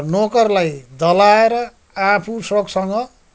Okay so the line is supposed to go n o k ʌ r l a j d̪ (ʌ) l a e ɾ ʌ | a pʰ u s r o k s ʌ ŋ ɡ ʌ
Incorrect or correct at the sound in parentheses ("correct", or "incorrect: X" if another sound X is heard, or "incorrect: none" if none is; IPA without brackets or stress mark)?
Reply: correct